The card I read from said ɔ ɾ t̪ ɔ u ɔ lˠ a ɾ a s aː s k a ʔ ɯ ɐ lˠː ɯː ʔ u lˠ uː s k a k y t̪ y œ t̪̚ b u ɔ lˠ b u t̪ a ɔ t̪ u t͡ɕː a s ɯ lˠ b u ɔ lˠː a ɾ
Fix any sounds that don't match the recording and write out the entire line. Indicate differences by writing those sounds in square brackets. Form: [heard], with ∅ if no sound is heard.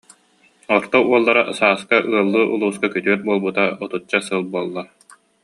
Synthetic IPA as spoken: ɔ ɾ t̪ ɔ u ɔ [lˠː] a ɾ a s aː s k a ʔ ɯ ɐ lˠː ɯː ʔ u lˠ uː s k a k y t̪ y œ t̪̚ b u ɔ lˠ b u t̪ a ɔ t̪ u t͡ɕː a s ɯ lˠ b u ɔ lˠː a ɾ